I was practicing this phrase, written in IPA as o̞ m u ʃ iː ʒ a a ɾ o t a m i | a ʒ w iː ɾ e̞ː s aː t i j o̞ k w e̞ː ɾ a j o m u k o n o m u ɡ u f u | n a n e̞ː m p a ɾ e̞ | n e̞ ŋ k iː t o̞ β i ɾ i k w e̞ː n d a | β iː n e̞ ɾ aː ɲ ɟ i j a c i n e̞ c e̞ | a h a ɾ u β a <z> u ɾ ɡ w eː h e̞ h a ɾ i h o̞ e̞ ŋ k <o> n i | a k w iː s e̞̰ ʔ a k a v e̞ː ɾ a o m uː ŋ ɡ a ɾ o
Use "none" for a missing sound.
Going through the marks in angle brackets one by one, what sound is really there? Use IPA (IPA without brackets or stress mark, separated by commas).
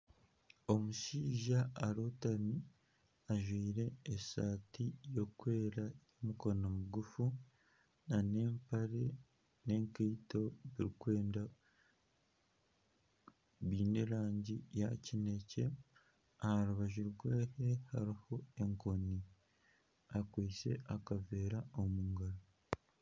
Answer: ʒ, o